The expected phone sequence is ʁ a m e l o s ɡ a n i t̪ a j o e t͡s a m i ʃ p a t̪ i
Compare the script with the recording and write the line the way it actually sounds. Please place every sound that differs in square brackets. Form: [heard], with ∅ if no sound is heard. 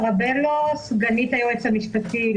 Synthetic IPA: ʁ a [b] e l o s ɡ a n i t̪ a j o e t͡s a m i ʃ p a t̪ i